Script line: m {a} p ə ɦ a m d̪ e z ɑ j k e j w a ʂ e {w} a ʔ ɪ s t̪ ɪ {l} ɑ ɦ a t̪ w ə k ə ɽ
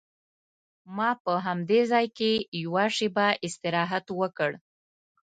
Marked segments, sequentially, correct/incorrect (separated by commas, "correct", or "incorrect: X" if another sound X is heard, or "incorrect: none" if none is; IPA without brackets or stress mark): incorrect: ɑ, incorrect: b, incorrect: ɾ